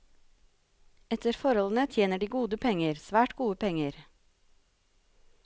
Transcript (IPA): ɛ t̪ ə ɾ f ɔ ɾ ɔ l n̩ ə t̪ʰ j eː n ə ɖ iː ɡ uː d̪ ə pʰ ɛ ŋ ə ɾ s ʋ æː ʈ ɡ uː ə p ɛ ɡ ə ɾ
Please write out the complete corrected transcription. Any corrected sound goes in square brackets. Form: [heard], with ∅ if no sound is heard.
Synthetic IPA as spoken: ɛ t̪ ə ɾ f ɔ ɾ ɔ l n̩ ə t̪ʰ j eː n ə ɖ iː ɡ uː d̪ ə pʰ ɛ ŋ ə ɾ s ʋ æː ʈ ɡ uː ə p ɛ [ŋ] ə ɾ